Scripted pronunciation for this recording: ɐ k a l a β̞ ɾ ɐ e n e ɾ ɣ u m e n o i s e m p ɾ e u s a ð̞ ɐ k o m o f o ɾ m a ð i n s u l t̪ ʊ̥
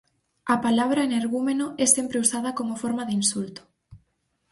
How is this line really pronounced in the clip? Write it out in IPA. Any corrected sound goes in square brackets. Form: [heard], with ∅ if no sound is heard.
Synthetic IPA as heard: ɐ [p] a l a β̞ ɾ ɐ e n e ɾ ɣ u m e n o [ɛ] s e m p ɾ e u s a ð̞ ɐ k o m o f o ɾ m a ð i n s u l t̪ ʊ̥